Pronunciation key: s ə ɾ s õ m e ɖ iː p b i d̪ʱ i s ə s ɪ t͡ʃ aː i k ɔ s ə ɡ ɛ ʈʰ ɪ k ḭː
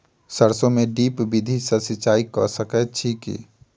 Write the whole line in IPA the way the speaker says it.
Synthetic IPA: s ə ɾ s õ m e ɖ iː p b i d̪ʱ i s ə s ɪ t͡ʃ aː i k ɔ s ə k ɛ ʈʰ i k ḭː